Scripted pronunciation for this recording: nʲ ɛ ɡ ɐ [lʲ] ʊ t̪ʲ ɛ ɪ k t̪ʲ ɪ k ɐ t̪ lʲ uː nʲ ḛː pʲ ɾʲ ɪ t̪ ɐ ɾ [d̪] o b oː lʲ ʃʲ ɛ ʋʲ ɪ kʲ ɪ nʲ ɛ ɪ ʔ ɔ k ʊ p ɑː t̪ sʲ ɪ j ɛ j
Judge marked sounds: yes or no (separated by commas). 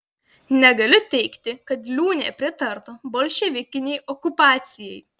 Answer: yes, no